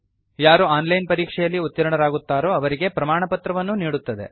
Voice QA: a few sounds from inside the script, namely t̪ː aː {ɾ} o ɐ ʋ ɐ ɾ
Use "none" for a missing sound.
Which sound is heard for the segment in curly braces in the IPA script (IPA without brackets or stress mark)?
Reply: ɾ